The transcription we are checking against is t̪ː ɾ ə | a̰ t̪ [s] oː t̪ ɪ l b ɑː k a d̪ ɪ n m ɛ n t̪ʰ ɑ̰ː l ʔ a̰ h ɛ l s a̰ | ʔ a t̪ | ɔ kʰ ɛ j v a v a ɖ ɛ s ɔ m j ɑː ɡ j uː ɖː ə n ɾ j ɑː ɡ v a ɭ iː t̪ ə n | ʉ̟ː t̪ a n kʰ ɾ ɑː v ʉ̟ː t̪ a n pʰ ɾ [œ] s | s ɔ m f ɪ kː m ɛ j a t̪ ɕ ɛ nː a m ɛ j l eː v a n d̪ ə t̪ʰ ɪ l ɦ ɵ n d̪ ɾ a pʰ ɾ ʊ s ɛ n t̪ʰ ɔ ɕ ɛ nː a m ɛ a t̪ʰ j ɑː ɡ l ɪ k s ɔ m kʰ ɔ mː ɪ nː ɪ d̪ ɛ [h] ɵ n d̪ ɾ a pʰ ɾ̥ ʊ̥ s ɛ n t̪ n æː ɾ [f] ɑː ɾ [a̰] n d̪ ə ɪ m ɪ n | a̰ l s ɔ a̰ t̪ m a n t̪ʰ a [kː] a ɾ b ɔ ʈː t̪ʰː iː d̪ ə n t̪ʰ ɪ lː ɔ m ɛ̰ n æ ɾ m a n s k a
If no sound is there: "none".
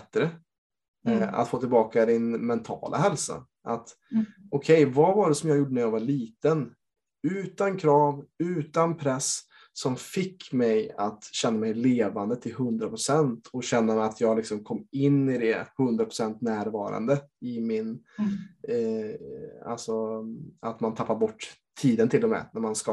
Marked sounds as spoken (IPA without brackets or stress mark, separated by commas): f, ɛ, h, v, a̰, pː